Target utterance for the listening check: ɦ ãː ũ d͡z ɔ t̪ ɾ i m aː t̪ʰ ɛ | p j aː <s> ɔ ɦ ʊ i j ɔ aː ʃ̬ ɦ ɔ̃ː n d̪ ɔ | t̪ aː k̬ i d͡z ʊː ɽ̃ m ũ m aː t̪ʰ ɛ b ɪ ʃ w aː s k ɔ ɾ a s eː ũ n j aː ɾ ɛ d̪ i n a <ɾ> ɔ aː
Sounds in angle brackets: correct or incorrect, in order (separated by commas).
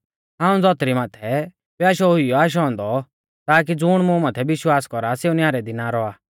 incorrect, correct